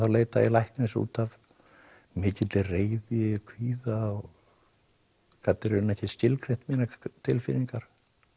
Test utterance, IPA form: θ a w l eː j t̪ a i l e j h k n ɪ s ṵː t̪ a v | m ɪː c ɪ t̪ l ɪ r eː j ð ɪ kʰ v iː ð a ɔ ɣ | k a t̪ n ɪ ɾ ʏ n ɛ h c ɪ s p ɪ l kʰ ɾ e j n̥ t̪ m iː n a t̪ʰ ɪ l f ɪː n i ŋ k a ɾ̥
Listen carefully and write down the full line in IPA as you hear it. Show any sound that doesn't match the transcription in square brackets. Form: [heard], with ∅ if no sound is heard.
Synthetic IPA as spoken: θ a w l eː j t̪ a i l [a] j h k n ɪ s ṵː t̪ a v | m ɪː c ɪ t̪ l ɪ r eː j ð ɪ kʰ v iː ð a ɔ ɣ | k a t̪ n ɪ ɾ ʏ n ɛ h c ɪ s [c] ɪ l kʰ ɾ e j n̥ t̪ m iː n a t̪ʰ ɪ l f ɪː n i ŋ k a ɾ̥